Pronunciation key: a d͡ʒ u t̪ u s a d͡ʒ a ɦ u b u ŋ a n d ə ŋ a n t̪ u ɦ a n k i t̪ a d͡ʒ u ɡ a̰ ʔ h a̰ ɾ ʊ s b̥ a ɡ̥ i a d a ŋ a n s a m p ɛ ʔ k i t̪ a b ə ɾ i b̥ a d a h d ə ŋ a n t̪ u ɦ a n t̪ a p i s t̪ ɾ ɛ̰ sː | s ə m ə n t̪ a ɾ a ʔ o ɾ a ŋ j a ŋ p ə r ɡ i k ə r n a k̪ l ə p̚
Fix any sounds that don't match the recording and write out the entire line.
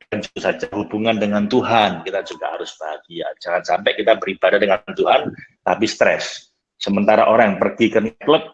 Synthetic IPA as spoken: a d͡ʒ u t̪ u s a d͡ʒ a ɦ u b u ŋ a n d ə ŋ a n t̪ u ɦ a n k i t̪ a d͡ʒ u ɡ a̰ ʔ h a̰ ɾ ʊ s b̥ a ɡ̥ i a d͡ʒ a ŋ a n s a m p ɛ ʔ k i t̪ a b ə ɾ i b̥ a d a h d ə ŋ a n t̪ u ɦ a n t̪ a p i s t̪ ɾ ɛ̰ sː | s ə m ə n t̪ a ɾ a ʔ o ɾ a ŋ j a ŋ p ə r ɡ i k ə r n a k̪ l ə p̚